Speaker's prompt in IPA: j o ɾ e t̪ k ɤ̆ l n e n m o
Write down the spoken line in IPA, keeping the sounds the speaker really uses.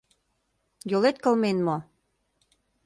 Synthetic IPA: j o l e t̪ k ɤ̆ l m e n m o